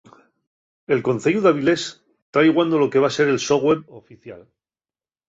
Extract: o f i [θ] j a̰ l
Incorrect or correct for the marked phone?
correct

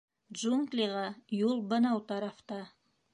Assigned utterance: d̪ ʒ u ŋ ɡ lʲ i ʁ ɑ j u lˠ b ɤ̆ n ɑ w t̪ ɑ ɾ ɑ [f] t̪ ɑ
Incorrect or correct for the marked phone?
correct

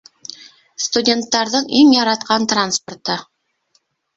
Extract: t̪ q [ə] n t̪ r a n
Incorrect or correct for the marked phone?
incorrect: ɑ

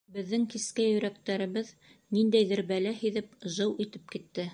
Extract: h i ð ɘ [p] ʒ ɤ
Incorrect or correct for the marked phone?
correct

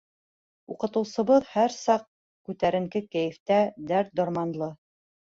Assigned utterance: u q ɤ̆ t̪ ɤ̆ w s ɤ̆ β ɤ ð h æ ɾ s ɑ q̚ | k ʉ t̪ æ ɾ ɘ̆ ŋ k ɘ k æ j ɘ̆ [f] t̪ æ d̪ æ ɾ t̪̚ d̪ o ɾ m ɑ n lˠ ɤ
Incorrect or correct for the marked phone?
correct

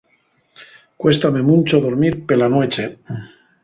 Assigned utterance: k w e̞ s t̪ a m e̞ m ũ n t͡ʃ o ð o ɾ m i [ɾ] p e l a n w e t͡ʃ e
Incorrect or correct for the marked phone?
correct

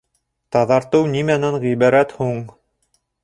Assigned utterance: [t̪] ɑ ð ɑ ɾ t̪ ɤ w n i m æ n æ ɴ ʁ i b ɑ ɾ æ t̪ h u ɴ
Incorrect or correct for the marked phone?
correct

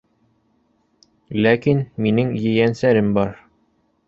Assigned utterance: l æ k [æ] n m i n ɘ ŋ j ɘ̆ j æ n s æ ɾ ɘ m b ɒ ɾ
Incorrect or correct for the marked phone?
incorrect: i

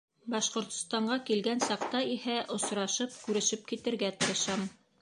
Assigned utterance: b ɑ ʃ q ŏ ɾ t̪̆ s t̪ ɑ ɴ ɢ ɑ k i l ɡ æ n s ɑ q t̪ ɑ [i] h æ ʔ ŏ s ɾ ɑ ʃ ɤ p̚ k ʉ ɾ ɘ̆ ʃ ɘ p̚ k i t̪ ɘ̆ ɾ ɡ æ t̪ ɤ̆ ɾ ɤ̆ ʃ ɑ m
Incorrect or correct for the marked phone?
correct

